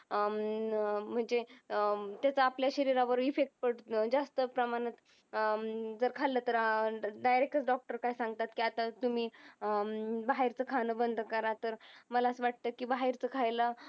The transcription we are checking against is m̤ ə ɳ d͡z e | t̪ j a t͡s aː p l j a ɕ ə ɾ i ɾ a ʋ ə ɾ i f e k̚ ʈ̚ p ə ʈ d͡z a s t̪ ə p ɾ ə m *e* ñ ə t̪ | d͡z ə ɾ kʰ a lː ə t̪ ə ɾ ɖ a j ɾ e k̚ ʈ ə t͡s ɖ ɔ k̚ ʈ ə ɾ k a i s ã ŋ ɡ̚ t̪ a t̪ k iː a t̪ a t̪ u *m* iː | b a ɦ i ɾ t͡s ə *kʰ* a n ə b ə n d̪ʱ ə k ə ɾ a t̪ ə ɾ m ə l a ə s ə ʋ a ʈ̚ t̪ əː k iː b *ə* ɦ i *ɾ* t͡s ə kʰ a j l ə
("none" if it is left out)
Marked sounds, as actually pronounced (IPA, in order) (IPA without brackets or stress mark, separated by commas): a, m, kʰ, a, ɾ